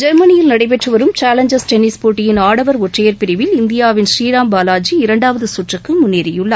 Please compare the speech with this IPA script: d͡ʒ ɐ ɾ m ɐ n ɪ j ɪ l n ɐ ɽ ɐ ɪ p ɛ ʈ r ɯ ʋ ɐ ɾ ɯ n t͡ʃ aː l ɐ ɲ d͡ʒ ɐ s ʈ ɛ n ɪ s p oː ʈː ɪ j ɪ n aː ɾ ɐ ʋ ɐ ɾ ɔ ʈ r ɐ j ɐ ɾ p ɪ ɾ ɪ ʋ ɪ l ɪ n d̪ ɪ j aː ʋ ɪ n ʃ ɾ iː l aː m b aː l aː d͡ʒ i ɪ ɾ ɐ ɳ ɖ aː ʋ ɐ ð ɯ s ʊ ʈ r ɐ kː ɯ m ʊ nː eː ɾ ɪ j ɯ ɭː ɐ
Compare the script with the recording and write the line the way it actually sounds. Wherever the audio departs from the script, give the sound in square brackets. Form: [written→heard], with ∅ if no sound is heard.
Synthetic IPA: d͡ʒ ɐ ɾ m ɐ n ɪ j ɪ l n ɐ ɽ ɐ ɪ p ɛ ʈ r ɯ ʋ ɐ ɾ ɯ [n→m] t͡ʃ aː l ɐ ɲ d͡ʒ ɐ s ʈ ɛ n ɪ s p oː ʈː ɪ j ɪ n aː [ɾ→ɽ] ɐ ʋ ɐ ɾ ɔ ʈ r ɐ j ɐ ɾ p ɪ ɾ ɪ ʋ ɪ l ɪ n d̪ ɪ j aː ʋ ɪ n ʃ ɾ iː [l→ɾ] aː m b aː l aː d͡ʒ i ɪ ɾ ɐ ɳ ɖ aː ʋ ɐ ð ɯ s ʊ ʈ r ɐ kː ɯ m ʊ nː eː ɾ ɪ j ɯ ɭː ɐ